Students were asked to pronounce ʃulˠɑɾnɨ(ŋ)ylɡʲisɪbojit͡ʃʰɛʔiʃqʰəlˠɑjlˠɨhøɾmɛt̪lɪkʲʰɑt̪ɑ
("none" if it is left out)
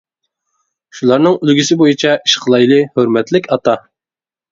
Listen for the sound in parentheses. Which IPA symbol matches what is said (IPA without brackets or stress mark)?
ŋ